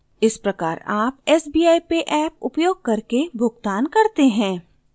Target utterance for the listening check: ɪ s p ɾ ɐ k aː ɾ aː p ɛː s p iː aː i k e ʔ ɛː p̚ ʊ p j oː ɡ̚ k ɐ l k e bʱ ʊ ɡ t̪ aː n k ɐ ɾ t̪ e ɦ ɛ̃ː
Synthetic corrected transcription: ɪ s p ɾ ɐ k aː ɾ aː p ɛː s b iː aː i p e ʔ ɛː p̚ ʊ p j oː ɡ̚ k ɐ ɾ k e bʱ ʊ ɡ t̪ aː n k ɐ ɾ t̪ e ɦ ɛ̃ː